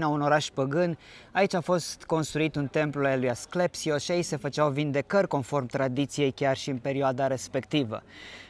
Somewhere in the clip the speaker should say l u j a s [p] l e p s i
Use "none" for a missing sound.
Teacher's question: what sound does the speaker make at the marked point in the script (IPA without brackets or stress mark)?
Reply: k